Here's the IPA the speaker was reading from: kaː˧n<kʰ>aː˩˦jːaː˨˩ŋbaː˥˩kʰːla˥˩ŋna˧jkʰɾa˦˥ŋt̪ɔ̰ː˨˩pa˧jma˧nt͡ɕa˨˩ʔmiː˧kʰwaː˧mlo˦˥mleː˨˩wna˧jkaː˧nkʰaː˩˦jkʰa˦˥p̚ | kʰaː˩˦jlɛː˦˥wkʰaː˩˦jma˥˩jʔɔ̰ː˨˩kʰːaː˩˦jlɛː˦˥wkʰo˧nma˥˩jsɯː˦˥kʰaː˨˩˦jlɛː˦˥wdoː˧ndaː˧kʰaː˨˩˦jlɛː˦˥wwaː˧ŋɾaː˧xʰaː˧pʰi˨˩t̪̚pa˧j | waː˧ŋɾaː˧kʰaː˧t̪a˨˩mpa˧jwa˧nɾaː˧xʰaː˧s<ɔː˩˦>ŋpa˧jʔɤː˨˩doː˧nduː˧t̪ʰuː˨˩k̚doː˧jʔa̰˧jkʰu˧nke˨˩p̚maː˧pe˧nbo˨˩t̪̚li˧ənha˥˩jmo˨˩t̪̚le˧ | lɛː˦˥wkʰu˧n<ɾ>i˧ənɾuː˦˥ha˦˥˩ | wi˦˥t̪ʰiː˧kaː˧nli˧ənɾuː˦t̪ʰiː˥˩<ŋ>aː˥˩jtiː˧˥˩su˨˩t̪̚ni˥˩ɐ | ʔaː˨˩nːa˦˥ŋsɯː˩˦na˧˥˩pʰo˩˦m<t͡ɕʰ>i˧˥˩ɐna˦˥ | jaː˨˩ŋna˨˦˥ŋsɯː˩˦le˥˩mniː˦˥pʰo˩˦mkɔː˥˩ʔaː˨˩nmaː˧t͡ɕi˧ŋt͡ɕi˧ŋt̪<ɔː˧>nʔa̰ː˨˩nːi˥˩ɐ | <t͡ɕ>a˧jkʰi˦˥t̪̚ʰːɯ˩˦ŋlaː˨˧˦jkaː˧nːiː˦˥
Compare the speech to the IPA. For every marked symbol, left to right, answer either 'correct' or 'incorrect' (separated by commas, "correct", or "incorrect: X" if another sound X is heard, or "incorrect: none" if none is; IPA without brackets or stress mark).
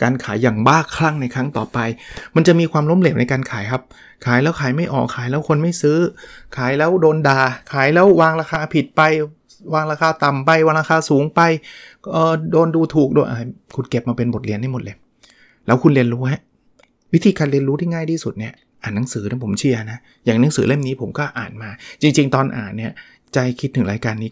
correct, incorrect: uː˩˦, incorrect: l, correct, correct, correct, correct